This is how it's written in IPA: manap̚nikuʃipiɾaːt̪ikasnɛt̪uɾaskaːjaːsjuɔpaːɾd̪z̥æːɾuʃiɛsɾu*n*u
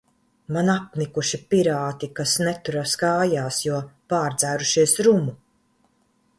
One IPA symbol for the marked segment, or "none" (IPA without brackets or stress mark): m